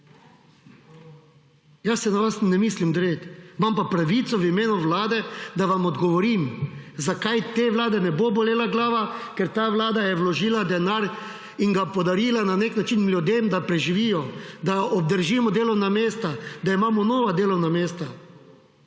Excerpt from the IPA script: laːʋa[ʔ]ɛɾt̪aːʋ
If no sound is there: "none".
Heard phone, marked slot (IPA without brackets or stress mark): k